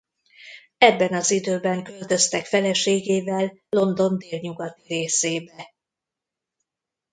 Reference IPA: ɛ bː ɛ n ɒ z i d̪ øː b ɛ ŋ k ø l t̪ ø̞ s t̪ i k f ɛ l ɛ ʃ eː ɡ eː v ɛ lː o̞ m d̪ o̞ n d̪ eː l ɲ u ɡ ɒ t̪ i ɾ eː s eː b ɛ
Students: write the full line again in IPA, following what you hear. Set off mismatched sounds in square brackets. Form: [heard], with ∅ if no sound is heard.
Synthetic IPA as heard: ɛ bː ɛ n ɒ z i d̪ øː b ɛ ŋ k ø l t̪ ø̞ s t̪ [ɛ] k f ɛ l ɛ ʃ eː ɡ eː v ɛ lː o̞ [n] d̪ o̞ n d̪ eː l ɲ u ɡ ɒ t̪ i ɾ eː s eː b ɛ